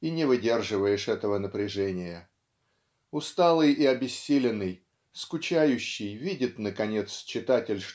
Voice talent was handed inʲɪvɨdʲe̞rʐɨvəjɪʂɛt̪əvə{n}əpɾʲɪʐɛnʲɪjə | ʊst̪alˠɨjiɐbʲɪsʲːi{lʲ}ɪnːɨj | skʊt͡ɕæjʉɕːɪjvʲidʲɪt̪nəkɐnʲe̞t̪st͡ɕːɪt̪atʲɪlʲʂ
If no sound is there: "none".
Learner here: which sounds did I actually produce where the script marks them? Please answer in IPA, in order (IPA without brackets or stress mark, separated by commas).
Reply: n, lʲ